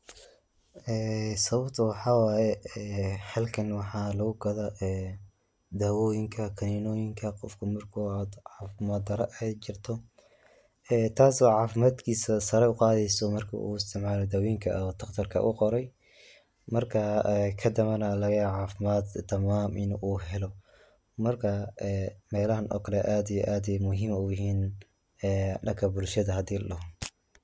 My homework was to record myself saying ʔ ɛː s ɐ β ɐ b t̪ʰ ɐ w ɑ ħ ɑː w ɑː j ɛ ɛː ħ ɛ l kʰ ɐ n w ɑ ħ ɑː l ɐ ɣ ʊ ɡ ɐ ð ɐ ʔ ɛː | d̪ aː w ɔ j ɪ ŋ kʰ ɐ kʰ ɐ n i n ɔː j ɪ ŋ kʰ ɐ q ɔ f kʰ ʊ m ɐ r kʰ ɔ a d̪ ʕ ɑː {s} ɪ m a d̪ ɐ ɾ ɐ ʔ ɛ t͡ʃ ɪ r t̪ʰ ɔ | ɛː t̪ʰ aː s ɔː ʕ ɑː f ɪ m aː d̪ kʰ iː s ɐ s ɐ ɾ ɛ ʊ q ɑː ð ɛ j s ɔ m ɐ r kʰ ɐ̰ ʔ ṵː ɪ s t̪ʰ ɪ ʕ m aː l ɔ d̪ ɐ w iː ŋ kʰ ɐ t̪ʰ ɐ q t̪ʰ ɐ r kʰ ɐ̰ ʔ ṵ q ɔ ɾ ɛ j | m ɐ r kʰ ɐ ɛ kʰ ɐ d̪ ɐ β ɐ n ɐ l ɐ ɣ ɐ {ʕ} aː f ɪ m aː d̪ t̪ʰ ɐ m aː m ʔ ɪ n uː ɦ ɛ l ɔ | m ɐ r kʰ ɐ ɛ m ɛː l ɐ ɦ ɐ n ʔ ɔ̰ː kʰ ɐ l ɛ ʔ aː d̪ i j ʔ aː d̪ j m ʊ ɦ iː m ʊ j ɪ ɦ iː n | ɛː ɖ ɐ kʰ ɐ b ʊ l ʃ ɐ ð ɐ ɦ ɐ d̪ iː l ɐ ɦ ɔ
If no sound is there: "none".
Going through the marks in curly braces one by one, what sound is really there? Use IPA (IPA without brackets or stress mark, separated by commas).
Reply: f, ʕ